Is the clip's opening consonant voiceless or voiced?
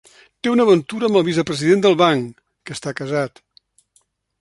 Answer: voiceless